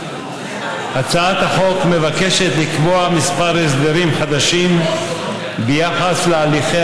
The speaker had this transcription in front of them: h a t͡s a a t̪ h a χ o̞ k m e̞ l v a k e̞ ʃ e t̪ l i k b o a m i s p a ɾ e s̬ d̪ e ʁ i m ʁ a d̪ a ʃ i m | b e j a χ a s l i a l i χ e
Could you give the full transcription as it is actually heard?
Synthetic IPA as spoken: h a t͡s a a t̪ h a χ o̞ k m e̞ v a k e̞ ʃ e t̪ l i k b o a m i s p a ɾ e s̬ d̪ e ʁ i m χ a d̪ a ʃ i m | b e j a χ a s l e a l i χ e